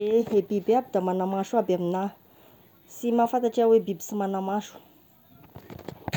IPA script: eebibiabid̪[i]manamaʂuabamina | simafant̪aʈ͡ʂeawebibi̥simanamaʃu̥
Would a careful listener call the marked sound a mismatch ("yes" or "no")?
yes